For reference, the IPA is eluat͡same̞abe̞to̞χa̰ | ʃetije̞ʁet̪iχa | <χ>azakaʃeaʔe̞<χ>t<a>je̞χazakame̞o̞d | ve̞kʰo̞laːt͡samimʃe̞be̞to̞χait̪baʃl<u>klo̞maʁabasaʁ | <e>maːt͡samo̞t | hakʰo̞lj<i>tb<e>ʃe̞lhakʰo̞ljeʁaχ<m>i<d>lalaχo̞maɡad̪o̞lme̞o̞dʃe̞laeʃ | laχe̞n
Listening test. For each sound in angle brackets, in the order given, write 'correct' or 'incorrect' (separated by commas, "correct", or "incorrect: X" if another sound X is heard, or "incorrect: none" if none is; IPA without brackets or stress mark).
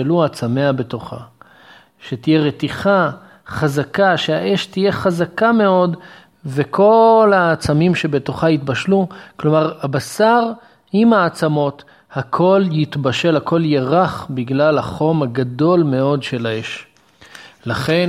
correct, incorrect: ʃ, incorrect: i, correct, incorrect: i, correct, incorrect: a, incorrect: b, incorrect: ɡ